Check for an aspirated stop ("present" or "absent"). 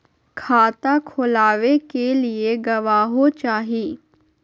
present